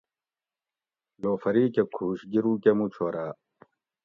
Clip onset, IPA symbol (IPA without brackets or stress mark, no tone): l